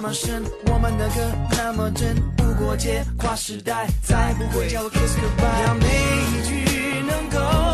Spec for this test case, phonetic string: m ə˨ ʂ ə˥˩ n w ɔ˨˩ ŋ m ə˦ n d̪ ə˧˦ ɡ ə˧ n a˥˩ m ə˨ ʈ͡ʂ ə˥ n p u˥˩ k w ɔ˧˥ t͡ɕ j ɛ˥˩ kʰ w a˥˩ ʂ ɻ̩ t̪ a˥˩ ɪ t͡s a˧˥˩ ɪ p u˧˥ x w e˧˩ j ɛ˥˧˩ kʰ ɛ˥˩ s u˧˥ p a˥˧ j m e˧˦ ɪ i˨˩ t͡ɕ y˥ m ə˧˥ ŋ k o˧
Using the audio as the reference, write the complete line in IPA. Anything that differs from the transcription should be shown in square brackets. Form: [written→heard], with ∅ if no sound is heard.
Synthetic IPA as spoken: m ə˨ ʂ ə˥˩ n w ɔ˨˩ [ŋ→∅] m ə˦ n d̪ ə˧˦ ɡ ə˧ n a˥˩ m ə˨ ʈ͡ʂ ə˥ n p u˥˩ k w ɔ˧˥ t͡ɕ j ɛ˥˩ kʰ w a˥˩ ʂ ɻ̩ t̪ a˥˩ ɪ t͡s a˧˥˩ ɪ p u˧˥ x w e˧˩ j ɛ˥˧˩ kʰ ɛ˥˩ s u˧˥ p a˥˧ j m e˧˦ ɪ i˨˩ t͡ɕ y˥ [m→n] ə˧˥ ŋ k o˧